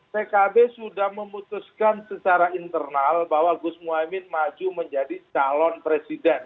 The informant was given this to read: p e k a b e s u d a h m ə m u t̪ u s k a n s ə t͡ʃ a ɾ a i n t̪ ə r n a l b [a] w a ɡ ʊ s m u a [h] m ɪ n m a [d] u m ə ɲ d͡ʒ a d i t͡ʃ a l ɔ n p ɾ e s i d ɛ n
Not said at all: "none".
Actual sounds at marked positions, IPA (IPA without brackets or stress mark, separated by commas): a, none, d͡ʒ